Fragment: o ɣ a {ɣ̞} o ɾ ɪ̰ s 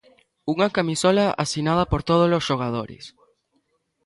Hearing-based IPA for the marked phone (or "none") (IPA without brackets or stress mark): ð̞